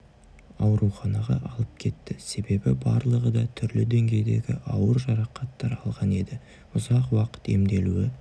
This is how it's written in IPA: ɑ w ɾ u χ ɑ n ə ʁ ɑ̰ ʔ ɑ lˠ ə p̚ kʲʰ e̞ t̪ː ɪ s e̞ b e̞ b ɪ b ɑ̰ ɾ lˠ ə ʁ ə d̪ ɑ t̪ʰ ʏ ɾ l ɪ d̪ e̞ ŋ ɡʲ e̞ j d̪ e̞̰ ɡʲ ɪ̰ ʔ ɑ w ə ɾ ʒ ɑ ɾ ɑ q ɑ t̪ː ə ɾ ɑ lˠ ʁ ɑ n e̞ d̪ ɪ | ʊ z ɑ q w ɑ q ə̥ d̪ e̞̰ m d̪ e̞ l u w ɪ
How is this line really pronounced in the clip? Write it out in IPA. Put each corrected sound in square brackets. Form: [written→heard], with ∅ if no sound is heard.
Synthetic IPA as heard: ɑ w ɾ u χ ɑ n [ə→ɑ] ʁ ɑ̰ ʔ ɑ lˠ ə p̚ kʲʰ e̞ t̪ː ɪ s e̞ b e̞ b ɪ b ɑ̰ ɾ lˠ ə ʁ ə d̪ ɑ t̪ʰ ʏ ɾ l ɪ d̪ e̞ ŋ ɡʲ e̞ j d̪ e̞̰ ɡʲ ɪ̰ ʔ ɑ w ə ɾ ʒ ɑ ɾ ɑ q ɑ t̪ː [ə→ɑ] ɾ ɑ lˠ ʁ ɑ n e̞ d̪ ɪ | ʊ z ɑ q w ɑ q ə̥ [d̪→t̪] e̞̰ m d̪ e̞ l u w ɪ